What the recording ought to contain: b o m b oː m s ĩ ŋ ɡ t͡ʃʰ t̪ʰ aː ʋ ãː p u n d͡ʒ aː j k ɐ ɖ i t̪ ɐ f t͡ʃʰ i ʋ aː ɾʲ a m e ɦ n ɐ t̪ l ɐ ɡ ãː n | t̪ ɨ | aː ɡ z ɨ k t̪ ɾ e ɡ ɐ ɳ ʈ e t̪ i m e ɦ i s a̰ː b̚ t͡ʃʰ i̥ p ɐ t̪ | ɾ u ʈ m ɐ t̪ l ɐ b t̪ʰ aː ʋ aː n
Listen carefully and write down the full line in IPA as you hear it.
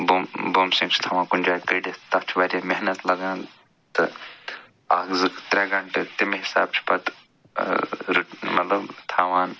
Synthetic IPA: b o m b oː m s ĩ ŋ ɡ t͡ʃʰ t̪ʰ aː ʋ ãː k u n d͡ʒ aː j k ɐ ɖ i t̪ ɐ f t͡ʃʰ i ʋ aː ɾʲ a m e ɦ n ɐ t̪ l ɐ ɡ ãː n | t̪ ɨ | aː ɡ z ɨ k t̪ ɾ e ɡ ɐ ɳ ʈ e t̪ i m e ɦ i s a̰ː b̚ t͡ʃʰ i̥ p ɐ t̪ | ɾ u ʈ m ɐ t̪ l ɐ b t̪ʰ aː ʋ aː n

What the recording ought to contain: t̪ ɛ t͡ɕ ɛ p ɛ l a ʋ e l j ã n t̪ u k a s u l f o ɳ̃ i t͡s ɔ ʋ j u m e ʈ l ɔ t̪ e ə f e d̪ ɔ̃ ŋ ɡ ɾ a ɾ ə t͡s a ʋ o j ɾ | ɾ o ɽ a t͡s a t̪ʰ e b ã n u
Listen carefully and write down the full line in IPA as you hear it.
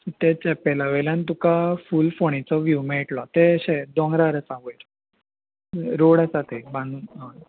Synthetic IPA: t̪ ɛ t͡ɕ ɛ p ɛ l a ʋ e l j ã n t̪ u k a f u l f o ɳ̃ i t͡s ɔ ʋ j u m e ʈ l ɔ t̪ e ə ɕ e d̪ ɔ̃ ŋ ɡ ɾ a ɾ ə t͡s a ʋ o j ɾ | ɾ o ɽ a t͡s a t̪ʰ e b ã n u

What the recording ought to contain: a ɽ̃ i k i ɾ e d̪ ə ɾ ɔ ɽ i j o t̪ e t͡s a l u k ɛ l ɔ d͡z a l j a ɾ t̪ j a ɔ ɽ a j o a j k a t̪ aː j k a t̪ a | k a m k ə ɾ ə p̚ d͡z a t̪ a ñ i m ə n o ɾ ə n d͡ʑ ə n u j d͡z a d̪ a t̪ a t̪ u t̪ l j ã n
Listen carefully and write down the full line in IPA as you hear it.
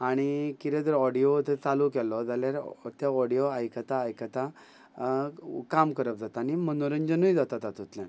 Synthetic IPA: a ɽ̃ i k i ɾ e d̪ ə ɾ ɔ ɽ i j o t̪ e t͡s a l u k ɛ l ɔ d͡z a l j a ɾ t̪ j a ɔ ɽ i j o a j k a t̪ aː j k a t̪ a | k a m k ə ɾ ə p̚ d͡z a t̪ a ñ i m ə n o ɾ ə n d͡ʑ ə n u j d͡z a t̪ a t̪ a t̪ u t̪ l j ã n

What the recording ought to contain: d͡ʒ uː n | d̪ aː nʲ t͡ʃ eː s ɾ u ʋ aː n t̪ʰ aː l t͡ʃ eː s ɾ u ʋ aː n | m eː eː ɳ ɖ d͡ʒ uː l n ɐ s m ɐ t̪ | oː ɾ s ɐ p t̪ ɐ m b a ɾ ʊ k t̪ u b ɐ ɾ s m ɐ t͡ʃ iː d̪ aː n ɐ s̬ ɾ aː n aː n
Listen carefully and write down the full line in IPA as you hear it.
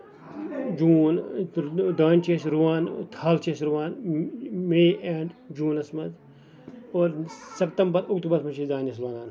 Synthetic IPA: d͡ʒ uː n | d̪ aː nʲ t͡ʃ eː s ɾ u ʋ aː n t̪ʰ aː l t͡ʃ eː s ɾ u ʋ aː n | m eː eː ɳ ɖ d͡ʒ uː n ɐ s m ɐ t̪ | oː ɾ s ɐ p t̪ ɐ m b ɐ ɾ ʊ k t̪ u b ɐ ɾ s m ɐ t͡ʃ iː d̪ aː n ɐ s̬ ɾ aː n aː n

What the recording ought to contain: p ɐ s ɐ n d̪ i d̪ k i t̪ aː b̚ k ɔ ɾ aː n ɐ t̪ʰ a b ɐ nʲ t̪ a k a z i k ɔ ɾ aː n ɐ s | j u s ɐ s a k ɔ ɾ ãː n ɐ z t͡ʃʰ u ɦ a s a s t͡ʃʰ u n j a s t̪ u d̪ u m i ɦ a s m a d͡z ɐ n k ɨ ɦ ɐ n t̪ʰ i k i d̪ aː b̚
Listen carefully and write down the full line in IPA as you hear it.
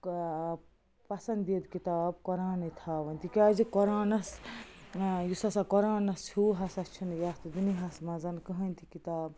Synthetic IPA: p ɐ s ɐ n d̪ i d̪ k i t̪ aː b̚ k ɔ ɾ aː n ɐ t̪ʰ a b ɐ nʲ t̪ i k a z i k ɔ ɾ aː n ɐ s | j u s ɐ s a k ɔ ɾ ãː n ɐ s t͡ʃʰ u ɦ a s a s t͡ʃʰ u n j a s t̪ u d̪ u n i ɦ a s m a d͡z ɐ n k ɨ ɦ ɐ n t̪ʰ i k i t̪ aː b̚

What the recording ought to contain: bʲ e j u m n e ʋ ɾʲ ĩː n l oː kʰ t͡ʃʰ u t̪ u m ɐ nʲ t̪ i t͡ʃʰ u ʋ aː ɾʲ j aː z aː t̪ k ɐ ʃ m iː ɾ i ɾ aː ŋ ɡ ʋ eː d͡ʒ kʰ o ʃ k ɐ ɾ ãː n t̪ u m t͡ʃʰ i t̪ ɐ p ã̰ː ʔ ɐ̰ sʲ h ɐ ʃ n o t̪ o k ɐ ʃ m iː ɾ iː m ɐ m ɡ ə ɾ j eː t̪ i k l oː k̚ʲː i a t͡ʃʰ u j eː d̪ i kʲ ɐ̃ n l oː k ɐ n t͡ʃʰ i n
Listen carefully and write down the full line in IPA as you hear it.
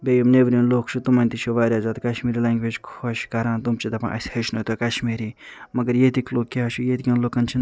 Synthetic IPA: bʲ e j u m n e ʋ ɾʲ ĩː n l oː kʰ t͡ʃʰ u t̪ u m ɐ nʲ t̪ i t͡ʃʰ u ʋ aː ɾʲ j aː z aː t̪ k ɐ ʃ m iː ɾ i l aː ŋ ɡ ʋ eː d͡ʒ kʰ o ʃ k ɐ ɾ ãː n t̪ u m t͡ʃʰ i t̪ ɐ p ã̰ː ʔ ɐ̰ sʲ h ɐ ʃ n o t̪ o k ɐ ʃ m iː ɾ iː m ɐ ɡ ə ɾ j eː t̪ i k l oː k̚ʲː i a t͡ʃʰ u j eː t̪ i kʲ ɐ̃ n l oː k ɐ n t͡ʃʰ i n

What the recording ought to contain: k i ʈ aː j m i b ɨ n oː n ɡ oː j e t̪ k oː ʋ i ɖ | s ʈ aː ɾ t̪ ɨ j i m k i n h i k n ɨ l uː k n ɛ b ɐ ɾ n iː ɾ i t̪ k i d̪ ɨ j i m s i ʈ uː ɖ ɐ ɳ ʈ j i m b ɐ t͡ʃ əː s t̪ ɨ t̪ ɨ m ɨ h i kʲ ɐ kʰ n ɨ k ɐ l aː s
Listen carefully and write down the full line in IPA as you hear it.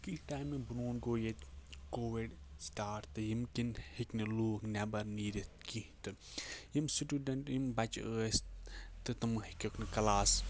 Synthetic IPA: k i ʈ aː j m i b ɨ n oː n ɡ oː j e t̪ k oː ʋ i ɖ | s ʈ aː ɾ t̪ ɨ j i m k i n h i k n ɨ l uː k n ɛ b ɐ ɾ n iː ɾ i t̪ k i t̪ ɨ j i m s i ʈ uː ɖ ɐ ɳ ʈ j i m b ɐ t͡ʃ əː s t̪ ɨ t̪ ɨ m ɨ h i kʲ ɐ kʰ n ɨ k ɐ l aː s

